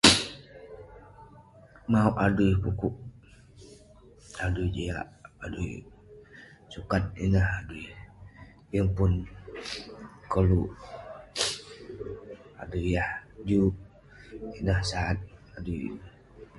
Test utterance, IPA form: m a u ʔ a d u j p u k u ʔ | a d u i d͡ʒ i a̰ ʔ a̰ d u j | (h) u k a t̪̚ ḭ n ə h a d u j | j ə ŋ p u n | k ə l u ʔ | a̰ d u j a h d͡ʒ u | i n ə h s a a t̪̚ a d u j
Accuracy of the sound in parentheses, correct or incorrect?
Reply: incorrect